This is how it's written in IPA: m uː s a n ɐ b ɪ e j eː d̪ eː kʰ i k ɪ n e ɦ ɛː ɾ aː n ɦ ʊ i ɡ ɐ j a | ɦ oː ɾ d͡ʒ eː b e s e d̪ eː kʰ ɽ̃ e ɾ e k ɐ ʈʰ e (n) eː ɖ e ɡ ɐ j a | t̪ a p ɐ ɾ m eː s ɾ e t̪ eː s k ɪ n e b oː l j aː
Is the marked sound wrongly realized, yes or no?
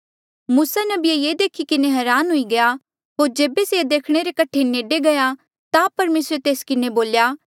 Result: no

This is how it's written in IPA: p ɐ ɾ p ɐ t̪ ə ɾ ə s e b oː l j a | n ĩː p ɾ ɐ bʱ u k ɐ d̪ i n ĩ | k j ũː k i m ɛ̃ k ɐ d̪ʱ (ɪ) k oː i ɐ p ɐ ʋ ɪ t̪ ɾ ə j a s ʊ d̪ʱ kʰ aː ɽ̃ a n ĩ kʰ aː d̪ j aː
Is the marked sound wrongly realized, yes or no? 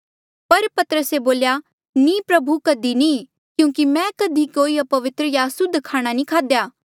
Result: yes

